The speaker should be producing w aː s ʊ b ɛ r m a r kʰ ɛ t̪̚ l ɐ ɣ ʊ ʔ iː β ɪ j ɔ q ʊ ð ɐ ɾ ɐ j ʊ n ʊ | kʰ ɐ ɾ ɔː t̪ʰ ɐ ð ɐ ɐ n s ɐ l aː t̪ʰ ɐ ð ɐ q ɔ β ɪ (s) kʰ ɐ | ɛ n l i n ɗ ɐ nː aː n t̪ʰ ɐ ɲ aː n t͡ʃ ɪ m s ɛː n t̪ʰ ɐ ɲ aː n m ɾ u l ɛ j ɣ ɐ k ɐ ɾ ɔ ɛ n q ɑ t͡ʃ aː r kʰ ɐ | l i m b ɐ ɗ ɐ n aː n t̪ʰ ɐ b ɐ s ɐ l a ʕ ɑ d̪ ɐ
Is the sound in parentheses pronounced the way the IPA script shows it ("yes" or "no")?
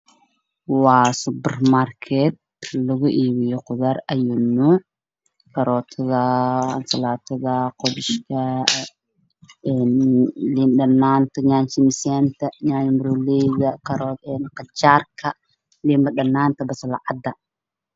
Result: no